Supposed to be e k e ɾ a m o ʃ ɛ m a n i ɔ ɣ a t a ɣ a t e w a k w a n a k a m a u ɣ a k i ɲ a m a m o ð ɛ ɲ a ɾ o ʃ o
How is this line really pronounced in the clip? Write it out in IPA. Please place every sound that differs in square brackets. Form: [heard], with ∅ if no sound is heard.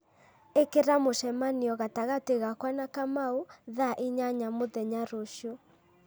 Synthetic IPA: e k e ɾ a m o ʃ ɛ m a n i ɔ ɣ a t a ɣ a t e [ɣ] a k w a n a k a m a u [ð] a [ʔ] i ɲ a [ɲ] a m o ð ɛ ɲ a ɾ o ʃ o